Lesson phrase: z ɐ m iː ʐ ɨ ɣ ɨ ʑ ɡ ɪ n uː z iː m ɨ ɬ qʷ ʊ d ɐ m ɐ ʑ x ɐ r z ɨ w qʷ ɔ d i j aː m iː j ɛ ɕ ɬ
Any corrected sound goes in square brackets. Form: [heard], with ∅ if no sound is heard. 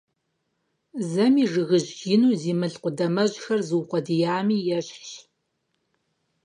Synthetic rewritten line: z ɐ m iː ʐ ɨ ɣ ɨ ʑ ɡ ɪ n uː z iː m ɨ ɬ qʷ ʊ d ɐ m ɐ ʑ x ɐ r z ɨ w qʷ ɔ d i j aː m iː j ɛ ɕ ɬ